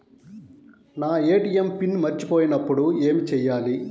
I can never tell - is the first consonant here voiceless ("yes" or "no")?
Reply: no